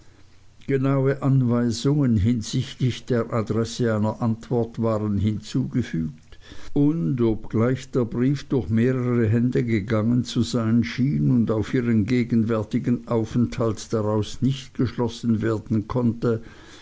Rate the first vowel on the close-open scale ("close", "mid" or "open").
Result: mid